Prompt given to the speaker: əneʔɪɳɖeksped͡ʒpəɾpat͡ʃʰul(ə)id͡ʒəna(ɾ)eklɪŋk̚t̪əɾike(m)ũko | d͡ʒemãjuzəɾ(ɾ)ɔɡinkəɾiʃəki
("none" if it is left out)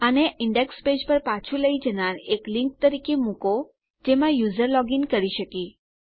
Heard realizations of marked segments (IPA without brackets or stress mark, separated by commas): ə, ɾ, m, l